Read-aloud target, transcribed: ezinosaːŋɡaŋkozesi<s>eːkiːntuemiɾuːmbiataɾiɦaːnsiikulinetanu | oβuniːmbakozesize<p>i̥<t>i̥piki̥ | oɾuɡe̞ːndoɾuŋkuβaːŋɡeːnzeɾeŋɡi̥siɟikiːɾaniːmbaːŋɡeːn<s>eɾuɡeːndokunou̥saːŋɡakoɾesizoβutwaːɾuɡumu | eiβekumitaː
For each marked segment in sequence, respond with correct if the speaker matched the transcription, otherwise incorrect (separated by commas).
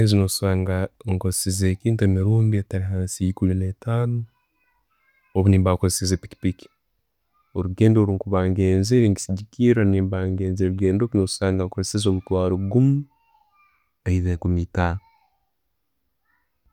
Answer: incorrect, correct, incorrect, incorrect